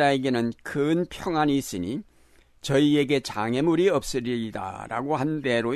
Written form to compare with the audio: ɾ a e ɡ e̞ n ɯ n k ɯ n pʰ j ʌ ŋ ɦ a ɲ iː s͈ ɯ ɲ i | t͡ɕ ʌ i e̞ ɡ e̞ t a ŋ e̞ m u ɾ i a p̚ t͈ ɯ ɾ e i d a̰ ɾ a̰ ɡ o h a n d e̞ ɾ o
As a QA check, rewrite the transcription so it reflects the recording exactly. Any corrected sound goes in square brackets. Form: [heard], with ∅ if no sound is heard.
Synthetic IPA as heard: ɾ a e ɡ e̞ n ɯ n k ɯ n pʰ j ʌ ŋ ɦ a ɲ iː s͈ ɯ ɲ i | t͡ɕ ʌ i e̞ ɡ e̞ [t͡ɕ] a ŋ e̞ m u ɾ i [ʌ] p̚ [s͈] ɯ ɾ [i] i d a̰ ɾ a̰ ɡ o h a n d e̞ ɾ o